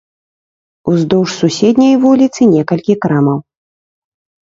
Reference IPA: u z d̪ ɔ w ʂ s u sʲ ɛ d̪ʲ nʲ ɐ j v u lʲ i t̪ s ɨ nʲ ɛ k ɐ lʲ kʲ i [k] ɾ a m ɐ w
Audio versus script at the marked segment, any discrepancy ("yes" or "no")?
no